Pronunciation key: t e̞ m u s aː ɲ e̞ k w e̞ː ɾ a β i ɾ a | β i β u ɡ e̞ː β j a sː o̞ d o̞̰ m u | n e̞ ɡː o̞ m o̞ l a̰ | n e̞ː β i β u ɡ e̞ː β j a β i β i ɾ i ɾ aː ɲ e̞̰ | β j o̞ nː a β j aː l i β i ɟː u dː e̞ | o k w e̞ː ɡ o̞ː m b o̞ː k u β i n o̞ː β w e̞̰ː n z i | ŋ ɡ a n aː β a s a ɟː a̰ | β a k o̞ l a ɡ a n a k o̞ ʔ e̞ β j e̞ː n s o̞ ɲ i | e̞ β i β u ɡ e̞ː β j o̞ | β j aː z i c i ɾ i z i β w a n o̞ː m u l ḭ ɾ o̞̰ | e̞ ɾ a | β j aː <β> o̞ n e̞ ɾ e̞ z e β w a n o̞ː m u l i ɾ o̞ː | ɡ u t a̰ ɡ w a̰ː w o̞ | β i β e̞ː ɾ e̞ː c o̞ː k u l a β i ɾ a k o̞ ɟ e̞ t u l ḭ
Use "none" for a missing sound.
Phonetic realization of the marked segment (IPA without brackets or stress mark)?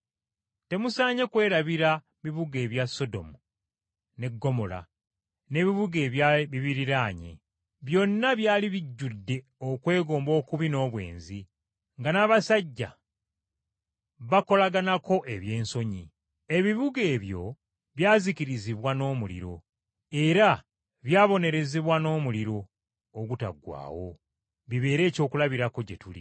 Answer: β